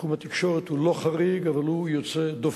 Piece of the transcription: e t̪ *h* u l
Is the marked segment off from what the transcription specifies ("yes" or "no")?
no